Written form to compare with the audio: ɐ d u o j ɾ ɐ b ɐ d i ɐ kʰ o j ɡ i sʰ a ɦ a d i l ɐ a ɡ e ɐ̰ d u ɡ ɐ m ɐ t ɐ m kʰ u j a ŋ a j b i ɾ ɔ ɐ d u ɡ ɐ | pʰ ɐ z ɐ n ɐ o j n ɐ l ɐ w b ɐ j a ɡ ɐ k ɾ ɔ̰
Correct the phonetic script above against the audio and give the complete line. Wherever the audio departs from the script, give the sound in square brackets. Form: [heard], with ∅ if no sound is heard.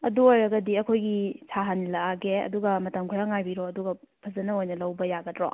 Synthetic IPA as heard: ɐ d u o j ɾ ɐ [ɡ] ɐ d i ɐ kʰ o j ɡ i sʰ a ɦ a [n] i l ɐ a ɡ e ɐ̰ d u ɡ ɐ m ɐ t ɐ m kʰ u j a ŋ a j b i ɾ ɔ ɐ d u ɡ ɐ | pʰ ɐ z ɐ n ɐ o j n ɐ l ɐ w b ɐ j a ɡ ɐ [t] ɾ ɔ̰